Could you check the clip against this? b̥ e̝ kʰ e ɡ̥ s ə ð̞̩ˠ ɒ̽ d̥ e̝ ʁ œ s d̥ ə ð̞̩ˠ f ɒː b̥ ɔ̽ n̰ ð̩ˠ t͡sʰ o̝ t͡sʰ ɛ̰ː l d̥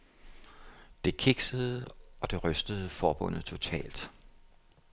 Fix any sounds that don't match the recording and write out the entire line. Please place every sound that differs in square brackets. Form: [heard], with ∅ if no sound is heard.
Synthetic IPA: [d̥] e̝ kʰ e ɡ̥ s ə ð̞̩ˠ ɒ̽ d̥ e̝ ʁ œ s d̥ ə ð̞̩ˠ f ɒː b̥ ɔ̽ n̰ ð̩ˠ t͡sʰ o̝ t͡sʰ ɛ̰ː l d̥

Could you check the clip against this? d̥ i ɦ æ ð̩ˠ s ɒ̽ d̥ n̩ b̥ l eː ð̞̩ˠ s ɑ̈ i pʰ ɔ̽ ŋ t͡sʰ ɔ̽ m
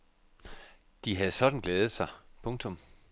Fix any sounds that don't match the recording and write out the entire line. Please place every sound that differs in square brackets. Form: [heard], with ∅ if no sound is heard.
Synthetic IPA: d̥ i ɦ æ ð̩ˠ s ɒ̽ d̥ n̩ [ɡ̥] l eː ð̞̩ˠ s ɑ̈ [ɪ] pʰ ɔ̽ ŋ t͡sʰ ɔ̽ m

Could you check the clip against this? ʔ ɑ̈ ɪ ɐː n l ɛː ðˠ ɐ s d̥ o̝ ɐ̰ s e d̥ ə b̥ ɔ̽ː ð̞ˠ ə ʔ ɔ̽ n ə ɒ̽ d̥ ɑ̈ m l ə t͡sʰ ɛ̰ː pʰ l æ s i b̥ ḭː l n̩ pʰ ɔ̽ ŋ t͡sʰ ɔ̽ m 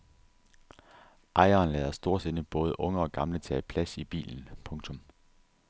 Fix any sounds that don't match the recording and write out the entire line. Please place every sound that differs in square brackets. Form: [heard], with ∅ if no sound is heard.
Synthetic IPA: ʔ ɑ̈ ɪ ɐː n l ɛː ðˠ ɐ s d̥ o̝ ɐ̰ s e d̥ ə b̥ ɔ̽ː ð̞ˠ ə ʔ ɔ̽ [ŋ] ə ɒ̽ [ɡ̥] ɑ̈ m l ə t͡sʰ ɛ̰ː pʰ l æ s i b̥ ḭː l n̩ pʰ ɔ̽ ŋ t͡sʰ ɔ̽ m

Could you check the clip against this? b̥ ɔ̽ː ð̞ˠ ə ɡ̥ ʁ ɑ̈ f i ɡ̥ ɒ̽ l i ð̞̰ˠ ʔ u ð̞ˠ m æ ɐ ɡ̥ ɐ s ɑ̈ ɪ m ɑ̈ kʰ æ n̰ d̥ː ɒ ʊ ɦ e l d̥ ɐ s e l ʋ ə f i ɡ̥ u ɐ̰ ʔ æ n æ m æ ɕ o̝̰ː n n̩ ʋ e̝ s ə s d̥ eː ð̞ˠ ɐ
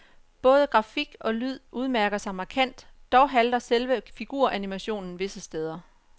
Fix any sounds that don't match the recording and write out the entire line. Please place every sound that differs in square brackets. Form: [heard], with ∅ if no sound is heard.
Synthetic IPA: b̥ ɔ̽ː ð̞ˠ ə ɡ̥ ʁ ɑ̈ f i ɡ̥ ɒ̽ l [y] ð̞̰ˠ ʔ u ð̞ˠ m æ ɐ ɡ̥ ɐ s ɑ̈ ɪ m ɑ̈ kʰ æ n̰ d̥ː ɒ ʊ ɦ [æ] l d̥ ɐ s e l ʋ ə f i ɡ̥ u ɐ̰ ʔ æ n [i] m æ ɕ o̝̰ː n n̩ ʋ e̝ s ə s d̥ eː ð̞ˠ ɐ

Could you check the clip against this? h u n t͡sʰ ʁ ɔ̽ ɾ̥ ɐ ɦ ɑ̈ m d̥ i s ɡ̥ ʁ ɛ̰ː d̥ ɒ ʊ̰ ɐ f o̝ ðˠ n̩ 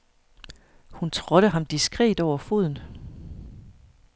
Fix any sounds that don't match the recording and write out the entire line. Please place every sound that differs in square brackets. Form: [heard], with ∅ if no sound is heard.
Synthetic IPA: h u n t͡sʰ ʁ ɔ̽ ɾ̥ [ə] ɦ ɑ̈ m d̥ i s ɡ̥ ʁ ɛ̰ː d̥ ɒ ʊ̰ ɐ f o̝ ðˠ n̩

